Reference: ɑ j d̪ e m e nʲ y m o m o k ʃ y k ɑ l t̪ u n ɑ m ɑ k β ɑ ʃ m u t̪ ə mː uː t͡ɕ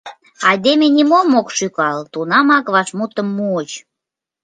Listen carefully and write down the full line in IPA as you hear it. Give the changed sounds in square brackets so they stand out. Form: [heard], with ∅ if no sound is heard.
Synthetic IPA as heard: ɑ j d̪ e m e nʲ [i] m o m o k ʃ y k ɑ l t̪ u n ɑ m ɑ k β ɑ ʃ m u t̪ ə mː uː t͡ɕ